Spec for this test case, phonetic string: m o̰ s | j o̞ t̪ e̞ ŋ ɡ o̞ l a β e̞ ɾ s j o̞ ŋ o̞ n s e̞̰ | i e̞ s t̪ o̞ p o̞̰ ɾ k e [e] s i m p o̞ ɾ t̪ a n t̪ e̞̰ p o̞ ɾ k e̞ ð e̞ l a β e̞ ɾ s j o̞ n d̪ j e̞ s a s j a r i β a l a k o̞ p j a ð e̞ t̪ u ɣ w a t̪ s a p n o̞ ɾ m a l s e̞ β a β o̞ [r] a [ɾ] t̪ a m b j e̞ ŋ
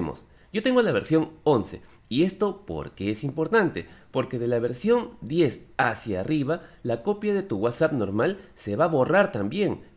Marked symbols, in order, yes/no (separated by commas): yes, yes, yes